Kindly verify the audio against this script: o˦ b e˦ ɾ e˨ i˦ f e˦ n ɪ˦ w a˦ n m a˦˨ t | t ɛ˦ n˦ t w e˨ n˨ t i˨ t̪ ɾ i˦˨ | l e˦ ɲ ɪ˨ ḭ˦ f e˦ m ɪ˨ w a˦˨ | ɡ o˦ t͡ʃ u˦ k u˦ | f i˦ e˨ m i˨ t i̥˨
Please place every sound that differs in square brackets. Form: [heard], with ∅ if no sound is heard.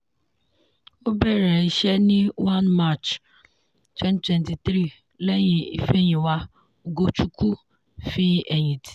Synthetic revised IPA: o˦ b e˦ ɾ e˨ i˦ [ʃ] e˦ n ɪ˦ w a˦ n m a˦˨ [t͡ʃ] | t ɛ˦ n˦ t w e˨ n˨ t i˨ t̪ ɾ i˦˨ | l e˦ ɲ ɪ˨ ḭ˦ f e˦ [ɲ] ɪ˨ w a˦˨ | ɡ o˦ t͡ʃ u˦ k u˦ | f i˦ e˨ [ɲ] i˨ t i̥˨